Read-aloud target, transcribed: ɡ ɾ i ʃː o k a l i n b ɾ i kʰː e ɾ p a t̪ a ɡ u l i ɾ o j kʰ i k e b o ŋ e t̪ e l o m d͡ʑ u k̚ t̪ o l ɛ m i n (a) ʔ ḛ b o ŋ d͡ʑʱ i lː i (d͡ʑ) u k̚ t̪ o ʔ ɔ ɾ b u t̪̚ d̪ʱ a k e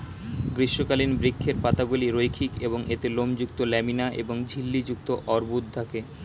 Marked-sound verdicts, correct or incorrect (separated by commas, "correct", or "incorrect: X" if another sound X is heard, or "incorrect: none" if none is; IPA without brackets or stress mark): correct, correct